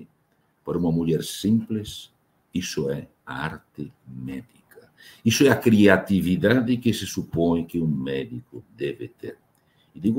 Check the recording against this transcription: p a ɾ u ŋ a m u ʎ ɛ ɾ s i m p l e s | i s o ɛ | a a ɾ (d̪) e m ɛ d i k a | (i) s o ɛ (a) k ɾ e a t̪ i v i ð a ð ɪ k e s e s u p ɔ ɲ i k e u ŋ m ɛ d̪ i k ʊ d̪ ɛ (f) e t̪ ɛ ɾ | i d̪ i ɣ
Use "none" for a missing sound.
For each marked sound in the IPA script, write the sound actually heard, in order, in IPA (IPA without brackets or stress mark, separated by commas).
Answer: t̪, i, a, v